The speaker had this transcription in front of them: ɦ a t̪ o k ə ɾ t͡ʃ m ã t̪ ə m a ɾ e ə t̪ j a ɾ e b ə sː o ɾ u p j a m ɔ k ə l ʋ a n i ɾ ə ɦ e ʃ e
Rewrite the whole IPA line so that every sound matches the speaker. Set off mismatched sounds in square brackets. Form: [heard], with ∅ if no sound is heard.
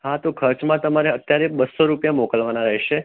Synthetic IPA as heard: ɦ a t̪ o [kʰ] ə ɾ t͡ʃ m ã t̪ ə m a ɾ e ə t̪ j a ɾ e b ə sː o ɾ u p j a m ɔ k ə l ʋ a n [a] ɾ ə ɦ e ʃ e